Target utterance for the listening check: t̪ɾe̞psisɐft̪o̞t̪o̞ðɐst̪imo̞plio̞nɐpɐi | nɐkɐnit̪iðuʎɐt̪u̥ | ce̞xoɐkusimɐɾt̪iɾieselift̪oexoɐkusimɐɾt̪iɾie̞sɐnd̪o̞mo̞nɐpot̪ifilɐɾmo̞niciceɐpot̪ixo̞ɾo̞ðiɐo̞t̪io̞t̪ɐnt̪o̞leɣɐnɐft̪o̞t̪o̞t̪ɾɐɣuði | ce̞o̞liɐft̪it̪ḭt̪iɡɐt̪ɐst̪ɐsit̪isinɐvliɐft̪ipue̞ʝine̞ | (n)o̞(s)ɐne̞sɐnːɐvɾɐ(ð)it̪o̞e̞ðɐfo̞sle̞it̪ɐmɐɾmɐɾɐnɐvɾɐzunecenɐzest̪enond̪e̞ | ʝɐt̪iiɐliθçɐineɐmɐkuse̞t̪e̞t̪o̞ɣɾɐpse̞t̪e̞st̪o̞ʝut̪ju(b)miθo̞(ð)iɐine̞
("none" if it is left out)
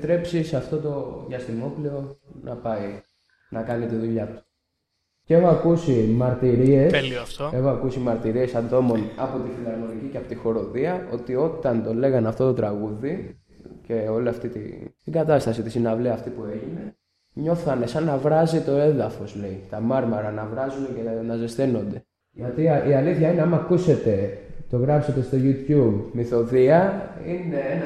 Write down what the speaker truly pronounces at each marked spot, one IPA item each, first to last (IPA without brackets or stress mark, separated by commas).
ɲ, θ, z, b, ð